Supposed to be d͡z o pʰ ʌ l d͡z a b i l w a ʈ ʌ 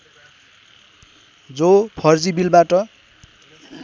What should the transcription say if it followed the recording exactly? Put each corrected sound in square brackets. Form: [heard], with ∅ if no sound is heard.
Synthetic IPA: d͡z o pʰ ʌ [r] d͡z [i] b i l [b] a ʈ ʌ

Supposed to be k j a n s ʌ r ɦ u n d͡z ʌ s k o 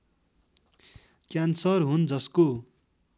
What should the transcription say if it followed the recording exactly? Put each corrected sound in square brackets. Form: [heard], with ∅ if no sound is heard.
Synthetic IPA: k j a n s ʌ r ɦ u n d͡z ʌ s k o

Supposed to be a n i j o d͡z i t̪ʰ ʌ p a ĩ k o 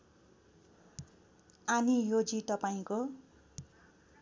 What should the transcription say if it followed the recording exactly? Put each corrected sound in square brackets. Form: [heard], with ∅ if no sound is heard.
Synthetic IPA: a n i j o d͡z i [t̪] ʌ p a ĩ k o

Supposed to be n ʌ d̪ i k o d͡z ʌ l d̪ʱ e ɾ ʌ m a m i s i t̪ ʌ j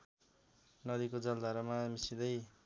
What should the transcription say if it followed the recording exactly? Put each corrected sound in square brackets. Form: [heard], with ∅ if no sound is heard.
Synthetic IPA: n ʌ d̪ i k o d͡z ʌ l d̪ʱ [a] ɾ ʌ m a m i s i [d̪] ʌ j

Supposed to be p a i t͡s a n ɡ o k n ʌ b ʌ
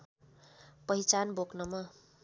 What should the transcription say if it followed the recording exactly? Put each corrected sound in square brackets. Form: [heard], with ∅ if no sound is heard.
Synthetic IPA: p [ʌ] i t͡s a n [b] o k n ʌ [m] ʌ

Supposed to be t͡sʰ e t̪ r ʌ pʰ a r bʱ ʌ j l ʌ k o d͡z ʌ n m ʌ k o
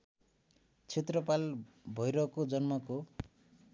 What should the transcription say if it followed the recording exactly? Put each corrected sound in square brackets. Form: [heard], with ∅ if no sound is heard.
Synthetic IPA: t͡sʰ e t̪ r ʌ [p] a [l] bʱ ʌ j [ɾ] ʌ k o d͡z ʌ n m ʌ k o

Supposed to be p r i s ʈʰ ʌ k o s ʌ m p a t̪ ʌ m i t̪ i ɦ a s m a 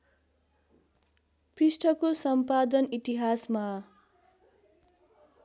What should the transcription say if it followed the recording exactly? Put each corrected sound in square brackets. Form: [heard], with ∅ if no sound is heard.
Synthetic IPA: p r i s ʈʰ ʌ k o s ʌ m p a [d̪] ʌ [n] i t̪ i ɦ a s m a

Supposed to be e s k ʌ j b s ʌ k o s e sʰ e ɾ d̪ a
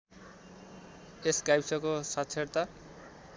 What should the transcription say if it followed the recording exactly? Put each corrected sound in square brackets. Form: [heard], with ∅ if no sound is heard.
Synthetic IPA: e s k [a] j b s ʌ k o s [a] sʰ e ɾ [t̪] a

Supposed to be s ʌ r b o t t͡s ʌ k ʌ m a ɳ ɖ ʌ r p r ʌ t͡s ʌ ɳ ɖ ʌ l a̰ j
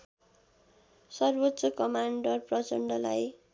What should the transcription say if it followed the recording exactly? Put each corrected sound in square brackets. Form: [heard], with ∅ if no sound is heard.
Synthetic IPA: s ʌ r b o t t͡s ʌ k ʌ m a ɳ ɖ ʌ r p r ʌ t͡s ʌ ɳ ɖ ʌ l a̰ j

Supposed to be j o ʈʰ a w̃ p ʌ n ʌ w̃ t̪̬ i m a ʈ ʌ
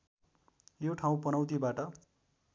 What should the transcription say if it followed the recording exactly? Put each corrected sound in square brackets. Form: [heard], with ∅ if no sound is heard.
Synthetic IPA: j o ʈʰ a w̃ p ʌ n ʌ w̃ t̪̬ i [b] a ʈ ʌ

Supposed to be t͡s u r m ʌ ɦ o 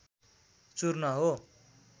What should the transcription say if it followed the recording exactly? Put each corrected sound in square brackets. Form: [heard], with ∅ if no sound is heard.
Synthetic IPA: t͡s u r [n] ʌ ɦ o

